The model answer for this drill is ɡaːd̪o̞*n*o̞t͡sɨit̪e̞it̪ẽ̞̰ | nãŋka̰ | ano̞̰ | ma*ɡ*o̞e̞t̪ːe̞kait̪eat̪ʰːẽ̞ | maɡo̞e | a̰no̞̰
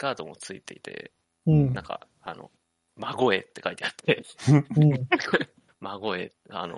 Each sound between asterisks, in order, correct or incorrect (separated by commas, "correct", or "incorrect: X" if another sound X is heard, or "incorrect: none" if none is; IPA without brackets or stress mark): incorrect: m, correct